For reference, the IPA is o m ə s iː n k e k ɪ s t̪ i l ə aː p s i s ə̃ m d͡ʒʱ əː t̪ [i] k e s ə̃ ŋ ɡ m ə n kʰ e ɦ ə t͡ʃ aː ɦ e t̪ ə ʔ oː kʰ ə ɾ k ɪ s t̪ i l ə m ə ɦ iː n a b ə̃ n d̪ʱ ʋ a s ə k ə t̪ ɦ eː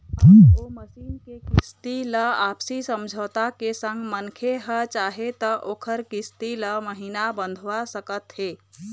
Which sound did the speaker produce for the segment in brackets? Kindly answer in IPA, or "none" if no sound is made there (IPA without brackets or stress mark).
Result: a